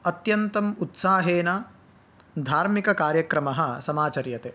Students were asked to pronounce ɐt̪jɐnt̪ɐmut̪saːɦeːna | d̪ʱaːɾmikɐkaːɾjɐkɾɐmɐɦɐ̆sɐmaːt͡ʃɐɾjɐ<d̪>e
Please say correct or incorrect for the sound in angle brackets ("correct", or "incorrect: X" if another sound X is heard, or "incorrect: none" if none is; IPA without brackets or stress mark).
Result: incorrect: t̪